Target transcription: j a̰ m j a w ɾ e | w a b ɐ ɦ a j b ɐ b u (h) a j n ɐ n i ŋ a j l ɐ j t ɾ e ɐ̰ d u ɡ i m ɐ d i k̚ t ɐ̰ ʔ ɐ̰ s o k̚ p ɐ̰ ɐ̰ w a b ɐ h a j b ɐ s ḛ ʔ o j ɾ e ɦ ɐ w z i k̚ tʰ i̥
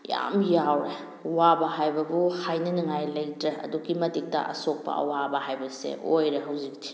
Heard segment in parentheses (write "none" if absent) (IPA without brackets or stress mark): h